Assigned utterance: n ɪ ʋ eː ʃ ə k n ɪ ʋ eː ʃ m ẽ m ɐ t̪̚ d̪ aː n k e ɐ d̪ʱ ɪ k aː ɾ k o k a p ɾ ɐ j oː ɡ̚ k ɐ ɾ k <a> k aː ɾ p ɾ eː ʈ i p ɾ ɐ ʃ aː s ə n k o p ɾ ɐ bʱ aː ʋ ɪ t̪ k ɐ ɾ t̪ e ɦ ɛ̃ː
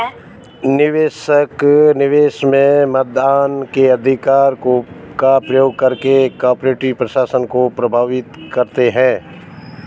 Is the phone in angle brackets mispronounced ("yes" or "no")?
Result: yes